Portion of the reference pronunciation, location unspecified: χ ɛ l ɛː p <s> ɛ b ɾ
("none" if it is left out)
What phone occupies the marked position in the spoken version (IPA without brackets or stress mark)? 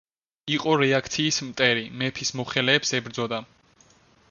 s